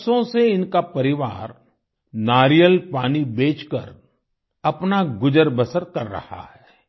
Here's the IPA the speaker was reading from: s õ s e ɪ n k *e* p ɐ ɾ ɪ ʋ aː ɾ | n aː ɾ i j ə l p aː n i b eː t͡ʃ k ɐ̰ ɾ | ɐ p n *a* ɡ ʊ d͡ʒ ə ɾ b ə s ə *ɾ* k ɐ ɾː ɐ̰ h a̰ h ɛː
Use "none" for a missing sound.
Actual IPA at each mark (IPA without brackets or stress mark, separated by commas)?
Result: a, a, ɾ